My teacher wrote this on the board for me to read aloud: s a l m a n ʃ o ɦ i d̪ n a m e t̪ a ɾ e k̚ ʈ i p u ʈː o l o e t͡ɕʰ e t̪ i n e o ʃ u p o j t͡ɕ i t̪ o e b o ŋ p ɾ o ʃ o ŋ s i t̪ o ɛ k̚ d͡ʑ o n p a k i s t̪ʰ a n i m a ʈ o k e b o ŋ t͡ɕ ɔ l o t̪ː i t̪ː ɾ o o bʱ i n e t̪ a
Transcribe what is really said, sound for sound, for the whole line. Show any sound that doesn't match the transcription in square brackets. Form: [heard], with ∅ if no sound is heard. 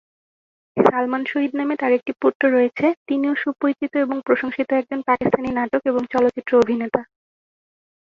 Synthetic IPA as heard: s a l m a n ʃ o ɦ i d̪ n a m e t̪ a ɾ e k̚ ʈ i p u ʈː o [ɾ] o e t͡ɕʰ e t̪ i n [i] o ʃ u p o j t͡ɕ i t̪ o e b o ŋ p ɾ o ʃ o ŋ [ʃ] i t̪ o ɛ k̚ d͡ʑ o n p a k i s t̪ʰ a n i [n] a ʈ o k e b o ŋ t͡ɕ ɔ l o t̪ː i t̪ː ɾ o o bʱ i n e t̪ a